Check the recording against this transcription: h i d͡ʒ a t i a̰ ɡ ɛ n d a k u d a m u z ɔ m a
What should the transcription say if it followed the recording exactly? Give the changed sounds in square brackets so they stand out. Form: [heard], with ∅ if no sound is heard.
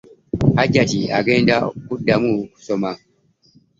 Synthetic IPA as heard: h [a] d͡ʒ a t i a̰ ɡ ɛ n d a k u d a m u [s] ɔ m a